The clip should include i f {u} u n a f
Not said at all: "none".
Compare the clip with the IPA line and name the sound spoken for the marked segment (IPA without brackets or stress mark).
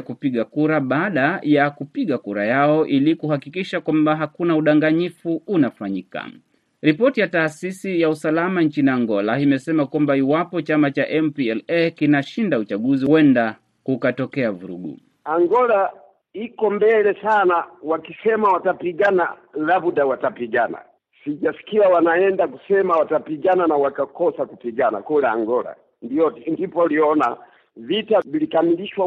u